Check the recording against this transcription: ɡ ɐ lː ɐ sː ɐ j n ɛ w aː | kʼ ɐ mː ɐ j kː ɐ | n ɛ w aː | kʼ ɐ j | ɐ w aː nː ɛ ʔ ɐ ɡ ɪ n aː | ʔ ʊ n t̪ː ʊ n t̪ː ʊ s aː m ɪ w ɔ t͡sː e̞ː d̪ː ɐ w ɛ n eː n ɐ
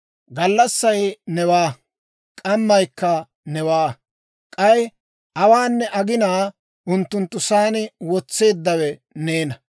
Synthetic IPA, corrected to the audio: ɡ ɐ lː ɐ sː ɐ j n ɛ w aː | kʼ ɐ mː ɐ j kː ɐ | n ɛ w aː | kʼ ɐ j | ɐ w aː nː ɛ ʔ ɐ ɡ ɪ n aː | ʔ ʊ n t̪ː ʊ n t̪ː ʊ s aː n ɪ w ɔ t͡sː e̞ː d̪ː ɐ w ɛ n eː n ɐ